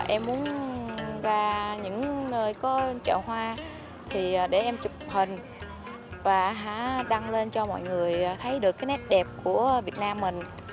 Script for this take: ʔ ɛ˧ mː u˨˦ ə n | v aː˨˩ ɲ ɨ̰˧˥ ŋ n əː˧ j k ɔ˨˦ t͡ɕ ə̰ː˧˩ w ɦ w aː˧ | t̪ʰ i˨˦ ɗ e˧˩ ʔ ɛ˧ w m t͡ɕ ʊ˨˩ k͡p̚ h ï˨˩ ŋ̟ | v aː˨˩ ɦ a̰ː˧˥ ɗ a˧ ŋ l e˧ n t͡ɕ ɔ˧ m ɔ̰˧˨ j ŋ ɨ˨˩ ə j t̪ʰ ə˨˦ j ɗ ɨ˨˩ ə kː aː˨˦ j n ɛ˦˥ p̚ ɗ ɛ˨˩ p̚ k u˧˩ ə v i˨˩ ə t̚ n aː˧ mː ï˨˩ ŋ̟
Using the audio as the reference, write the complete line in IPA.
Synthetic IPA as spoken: ʔ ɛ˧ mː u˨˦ ə n | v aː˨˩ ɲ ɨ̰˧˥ ŋ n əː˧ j k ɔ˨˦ t͡ɕ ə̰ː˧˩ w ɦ w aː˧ | t̪ʰ i˨˩˨ ɗ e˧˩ ʔ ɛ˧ m t͡ɕ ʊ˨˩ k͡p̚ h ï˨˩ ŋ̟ | v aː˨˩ ɦ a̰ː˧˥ ɗ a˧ ŋ l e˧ n t͡ɕ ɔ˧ m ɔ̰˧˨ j ŋ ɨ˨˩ ə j t̪ʰ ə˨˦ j ɗ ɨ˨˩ ə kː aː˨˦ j n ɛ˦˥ p̚ ɗ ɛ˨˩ p̚ k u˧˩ ə v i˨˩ ə t̚ n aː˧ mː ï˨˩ ŋ̟

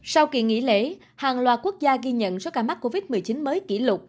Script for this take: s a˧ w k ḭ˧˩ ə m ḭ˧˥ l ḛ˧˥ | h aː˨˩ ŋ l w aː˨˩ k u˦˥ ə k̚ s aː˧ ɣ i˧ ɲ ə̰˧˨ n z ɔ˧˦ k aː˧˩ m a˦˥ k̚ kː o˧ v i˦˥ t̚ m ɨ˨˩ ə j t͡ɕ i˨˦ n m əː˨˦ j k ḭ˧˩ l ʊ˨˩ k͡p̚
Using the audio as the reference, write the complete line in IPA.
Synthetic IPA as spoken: s a˧ w k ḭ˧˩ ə ŋ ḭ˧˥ l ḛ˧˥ | h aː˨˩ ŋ l w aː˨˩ k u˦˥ ə k̚ z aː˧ ɣ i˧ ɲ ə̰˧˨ n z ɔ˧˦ k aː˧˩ m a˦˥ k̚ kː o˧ v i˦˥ t̚ m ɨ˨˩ ə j t͡ɕ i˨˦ n m əː˨˦ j k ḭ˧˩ l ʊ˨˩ k͡p̚

